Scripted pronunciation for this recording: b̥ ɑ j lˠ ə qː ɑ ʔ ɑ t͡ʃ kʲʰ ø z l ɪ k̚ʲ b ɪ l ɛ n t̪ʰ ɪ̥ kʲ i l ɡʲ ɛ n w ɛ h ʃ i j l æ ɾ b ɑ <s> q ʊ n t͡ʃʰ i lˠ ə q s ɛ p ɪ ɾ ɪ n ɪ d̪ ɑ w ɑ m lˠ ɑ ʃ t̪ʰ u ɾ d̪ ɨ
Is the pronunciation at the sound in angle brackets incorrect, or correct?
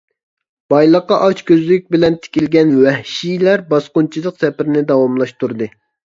correct